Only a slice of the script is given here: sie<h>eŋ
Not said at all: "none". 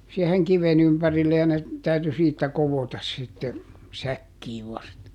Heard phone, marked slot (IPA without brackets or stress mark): h